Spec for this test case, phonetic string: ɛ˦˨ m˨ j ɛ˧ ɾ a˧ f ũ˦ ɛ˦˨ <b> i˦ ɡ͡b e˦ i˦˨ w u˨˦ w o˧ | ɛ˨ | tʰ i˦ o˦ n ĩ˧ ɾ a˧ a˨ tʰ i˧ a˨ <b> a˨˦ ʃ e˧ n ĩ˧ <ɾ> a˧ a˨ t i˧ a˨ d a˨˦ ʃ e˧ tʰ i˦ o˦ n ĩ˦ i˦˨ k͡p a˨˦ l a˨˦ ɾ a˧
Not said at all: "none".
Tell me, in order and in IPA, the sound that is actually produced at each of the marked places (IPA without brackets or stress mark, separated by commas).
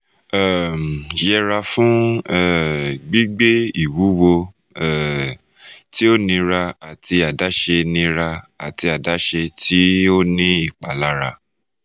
ɡ͡b, d, ɾ